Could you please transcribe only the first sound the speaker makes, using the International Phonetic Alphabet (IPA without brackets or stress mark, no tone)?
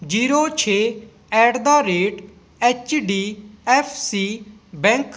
d͡ʒ